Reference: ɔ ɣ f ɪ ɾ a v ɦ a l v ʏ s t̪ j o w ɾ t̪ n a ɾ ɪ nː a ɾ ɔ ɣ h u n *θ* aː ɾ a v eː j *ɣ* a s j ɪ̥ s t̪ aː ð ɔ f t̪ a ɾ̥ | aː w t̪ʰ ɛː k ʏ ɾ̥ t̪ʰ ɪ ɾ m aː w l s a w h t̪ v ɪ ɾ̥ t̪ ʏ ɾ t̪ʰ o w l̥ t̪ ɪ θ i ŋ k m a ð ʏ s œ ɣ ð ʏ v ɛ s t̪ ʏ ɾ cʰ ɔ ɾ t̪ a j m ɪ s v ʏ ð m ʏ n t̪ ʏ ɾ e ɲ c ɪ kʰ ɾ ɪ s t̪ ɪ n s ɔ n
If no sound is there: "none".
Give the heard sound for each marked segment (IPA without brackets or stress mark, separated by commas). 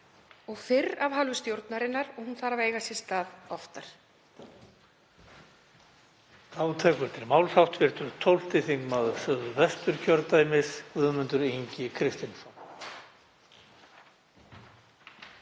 θ, ɣ